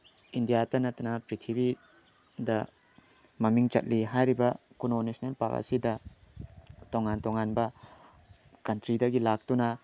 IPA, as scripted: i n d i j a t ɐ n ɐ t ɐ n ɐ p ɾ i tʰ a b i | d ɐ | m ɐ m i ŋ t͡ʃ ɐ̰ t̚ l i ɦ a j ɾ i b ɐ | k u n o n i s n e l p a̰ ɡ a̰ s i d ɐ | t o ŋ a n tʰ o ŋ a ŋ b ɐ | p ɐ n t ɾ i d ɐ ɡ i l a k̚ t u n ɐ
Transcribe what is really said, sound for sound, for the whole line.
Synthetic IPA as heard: i n d i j a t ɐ n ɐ t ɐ n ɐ p ɾ i tʰ i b i | d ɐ | m ɐ m i ŋ t͡ʃ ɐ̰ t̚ l i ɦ a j ɾ i b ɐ | k u n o n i s n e l p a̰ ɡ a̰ s i d ɐ | t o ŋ a n t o ŋ a n b ɐ | k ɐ n t ɾ i d ɐ ɡ i l a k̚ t u n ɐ